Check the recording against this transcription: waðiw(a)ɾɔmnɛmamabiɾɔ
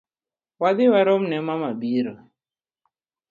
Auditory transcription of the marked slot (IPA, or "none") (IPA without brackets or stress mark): a